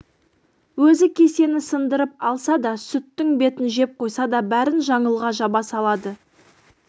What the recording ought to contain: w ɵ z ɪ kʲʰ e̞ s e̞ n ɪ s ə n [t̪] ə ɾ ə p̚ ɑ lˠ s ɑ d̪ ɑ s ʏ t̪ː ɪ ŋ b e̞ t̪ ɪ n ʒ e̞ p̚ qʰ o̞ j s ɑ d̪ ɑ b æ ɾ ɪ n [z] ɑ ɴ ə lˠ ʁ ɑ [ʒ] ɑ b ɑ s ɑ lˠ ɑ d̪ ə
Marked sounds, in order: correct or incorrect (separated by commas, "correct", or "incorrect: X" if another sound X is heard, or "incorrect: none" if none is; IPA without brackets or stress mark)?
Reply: incorrect: d̪, incorrect: ʒ, correct